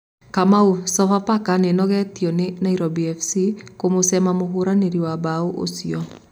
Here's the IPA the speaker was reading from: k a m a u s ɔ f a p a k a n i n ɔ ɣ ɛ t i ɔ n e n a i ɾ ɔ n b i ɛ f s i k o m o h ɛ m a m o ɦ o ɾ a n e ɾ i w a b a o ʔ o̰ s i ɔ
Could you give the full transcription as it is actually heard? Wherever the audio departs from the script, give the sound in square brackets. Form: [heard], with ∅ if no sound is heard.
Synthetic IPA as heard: k a m a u s ɔ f a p a k a n [e] n ɔ ɣ ɛ t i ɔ n e n a i ɾ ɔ [∅] b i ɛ f s i k o m o [s] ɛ m a m o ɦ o ɾ a n e ɾ i w a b a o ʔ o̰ s i ɔ